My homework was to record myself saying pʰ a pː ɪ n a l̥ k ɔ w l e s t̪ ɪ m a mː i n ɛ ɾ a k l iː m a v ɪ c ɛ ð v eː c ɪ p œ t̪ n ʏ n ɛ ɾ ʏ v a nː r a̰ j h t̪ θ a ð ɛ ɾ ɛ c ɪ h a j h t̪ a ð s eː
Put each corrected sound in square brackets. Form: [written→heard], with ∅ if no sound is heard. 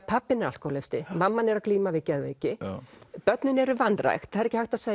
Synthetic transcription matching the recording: pʰ a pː ɪ n a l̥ k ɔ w l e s t̪ ɪ m a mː [i→a] n ɛ ɾ a k l iː m a v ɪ c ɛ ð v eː c ɪ p œ t̪ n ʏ n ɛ ɾ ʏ v a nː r a̰ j [h→x] t̪ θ a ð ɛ ɾ ɛ c ɪ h a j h t̪ a ð s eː